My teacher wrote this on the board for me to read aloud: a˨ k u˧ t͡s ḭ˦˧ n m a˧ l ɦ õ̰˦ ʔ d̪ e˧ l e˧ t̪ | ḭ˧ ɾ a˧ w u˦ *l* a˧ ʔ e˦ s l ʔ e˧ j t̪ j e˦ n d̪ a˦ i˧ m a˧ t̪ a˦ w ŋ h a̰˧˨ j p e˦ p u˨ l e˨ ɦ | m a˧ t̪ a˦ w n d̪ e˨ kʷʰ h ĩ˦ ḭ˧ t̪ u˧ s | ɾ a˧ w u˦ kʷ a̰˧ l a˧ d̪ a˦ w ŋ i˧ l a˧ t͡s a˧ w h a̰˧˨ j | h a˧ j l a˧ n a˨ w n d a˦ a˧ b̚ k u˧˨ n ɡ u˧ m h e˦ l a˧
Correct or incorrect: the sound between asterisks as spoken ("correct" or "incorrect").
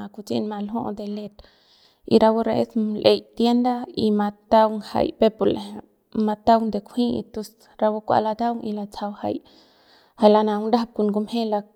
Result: incorrect